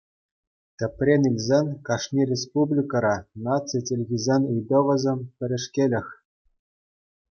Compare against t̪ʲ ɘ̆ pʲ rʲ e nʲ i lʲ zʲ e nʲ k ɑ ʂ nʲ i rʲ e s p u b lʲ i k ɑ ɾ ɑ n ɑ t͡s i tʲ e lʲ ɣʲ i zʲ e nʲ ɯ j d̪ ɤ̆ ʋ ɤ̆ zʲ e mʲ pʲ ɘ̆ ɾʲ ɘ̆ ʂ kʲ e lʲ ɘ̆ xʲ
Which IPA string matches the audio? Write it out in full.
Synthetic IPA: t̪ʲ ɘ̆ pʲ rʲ e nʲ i lʲ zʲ e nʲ k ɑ ʂ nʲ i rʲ e s p u b lʲ i k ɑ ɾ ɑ n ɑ t͡s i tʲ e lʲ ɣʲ i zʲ e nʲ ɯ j d̪ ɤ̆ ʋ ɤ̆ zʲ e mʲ pʲ ɘ̆ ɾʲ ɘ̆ ʂ kʲ e lʲ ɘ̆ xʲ